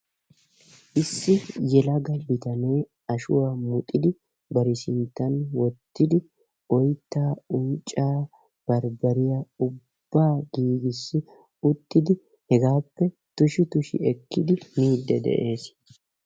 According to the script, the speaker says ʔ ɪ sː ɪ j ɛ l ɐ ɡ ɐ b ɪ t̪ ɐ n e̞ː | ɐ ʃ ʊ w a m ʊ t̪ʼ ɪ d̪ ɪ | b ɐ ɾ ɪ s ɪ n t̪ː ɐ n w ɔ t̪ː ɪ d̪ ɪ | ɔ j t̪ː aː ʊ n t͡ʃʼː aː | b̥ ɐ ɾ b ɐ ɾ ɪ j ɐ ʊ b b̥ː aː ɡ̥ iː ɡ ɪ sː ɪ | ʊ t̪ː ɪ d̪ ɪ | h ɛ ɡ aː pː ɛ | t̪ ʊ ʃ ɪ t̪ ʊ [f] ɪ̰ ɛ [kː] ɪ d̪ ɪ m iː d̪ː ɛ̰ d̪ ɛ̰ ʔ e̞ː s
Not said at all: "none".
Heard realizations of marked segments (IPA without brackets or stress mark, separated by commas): ʃ, kː